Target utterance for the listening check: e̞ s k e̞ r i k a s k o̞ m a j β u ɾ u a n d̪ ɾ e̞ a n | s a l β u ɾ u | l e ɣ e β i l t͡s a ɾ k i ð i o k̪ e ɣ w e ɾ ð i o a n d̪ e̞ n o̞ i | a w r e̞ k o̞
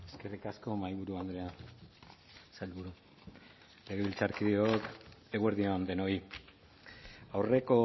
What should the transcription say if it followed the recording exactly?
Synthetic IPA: e̞ s k e̞ r i k a s k o̞ m a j β u ɾ u a n d̪ ɾ e̞ a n | s a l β u ɾ u | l e ɣ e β i l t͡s a ɾ k i ð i o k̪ e ɣ w e ɾ ð i o a n d̪ e̞ n o̞ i | a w r e̞ k o̞